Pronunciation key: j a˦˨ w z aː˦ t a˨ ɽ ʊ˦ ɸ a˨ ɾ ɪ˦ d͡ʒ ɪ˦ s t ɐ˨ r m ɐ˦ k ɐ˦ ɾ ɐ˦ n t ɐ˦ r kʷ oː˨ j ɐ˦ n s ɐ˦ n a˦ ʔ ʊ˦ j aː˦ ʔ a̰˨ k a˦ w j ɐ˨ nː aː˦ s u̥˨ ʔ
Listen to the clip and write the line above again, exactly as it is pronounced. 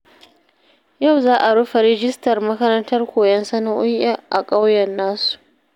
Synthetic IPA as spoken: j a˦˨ w z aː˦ ʔ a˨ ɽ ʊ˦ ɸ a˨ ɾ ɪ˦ d͡ʒ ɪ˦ s t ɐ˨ r m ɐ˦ k ɐ˦ ɾ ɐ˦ n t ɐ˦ r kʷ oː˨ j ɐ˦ n s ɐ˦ n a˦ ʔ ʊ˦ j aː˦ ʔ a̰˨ kʼ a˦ w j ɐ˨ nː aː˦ s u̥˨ ʔ